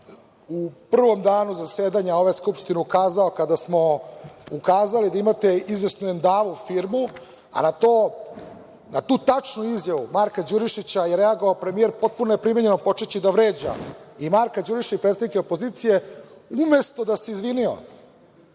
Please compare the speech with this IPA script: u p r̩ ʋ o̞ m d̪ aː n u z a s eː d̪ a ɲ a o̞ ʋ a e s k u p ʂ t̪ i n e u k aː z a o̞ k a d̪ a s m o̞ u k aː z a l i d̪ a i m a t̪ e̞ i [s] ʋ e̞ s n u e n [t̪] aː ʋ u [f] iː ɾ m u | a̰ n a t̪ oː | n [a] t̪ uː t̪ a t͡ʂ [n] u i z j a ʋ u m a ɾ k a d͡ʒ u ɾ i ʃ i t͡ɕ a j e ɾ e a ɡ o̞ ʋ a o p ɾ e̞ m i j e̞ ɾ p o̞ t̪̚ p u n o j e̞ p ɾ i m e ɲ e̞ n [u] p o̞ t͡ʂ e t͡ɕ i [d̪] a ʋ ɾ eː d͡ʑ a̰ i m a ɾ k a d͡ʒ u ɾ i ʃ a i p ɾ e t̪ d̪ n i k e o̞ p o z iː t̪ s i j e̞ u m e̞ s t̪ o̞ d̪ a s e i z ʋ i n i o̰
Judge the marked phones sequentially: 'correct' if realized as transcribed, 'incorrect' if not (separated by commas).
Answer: incorrect, incorrect, correct, correct, correct, incorrect, correct